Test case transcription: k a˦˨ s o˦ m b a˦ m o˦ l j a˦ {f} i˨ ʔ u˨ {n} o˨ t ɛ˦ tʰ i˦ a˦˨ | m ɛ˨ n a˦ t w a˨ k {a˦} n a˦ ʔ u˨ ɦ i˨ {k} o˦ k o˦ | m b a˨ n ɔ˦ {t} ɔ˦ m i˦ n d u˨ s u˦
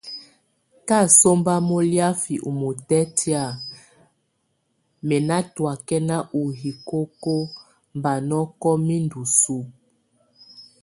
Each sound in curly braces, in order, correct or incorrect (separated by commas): correct, incorrect, incorrect, correct, incorrect